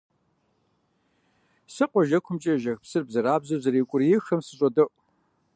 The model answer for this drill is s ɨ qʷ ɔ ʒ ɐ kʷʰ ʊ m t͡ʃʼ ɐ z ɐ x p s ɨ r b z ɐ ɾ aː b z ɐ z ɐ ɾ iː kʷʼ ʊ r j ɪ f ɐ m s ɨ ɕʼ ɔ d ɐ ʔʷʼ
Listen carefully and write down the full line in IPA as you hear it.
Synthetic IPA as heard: s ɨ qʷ ɔ ʒ ɐ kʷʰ ʊ m t͡ʃʼ ɐ ʒ ɐ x p s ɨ r b z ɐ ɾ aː b z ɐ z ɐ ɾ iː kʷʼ ʊ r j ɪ x ɐ m s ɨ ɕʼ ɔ d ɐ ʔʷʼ